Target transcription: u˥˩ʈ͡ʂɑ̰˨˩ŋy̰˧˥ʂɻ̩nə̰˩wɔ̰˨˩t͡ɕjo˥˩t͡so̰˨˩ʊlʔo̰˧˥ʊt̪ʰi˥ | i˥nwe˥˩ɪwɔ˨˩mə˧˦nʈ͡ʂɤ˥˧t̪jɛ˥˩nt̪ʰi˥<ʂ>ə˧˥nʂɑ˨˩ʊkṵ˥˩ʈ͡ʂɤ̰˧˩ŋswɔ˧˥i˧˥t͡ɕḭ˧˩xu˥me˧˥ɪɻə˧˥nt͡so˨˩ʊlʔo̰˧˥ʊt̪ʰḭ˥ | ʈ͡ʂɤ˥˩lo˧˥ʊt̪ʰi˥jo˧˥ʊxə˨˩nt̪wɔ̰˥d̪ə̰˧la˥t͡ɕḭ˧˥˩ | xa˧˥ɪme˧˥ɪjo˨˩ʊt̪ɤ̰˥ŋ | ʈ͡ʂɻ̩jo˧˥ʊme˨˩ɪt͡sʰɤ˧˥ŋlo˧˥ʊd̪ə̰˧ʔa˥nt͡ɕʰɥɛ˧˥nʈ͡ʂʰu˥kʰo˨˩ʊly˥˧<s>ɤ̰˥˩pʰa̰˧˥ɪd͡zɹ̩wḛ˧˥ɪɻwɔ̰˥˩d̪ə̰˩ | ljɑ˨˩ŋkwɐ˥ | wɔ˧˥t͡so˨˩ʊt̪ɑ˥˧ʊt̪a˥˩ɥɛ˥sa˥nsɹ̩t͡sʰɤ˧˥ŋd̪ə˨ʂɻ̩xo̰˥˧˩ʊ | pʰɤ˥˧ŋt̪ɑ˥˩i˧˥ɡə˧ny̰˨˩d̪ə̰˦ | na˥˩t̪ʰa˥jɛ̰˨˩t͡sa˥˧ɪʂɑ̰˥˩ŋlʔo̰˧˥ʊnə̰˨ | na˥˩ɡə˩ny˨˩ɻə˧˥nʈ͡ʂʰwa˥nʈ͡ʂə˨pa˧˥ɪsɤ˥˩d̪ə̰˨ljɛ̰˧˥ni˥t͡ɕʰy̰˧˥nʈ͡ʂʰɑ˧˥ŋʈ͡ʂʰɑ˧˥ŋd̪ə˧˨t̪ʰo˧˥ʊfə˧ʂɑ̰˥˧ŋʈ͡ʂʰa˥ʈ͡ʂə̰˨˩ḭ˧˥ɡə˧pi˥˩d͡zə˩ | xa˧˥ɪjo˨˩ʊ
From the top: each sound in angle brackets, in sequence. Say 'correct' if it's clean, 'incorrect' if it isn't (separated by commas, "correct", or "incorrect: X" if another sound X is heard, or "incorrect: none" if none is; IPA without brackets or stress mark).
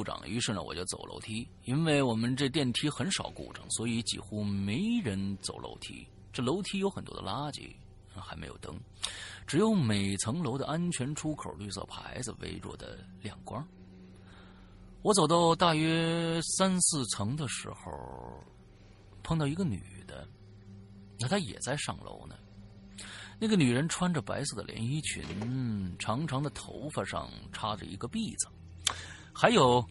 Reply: incorrect: x, correct